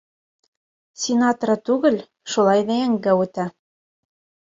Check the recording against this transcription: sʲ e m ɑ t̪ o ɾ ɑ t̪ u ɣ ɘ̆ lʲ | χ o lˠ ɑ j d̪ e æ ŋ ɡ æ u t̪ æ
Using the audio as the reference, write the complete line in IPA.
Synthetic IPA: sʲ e n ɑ t̪ o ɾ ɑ t̪ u ɣ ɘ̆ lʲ | ʃ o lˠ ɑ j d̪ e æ ŋ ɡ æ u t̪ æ